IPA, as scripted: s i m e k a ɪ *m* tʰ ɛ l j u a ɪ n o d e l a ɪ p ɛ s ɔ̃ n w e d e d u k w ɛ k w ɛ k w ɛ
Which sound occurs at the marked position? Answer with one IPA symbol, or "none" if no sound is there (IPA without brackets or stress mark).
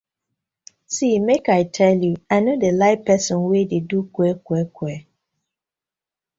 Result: none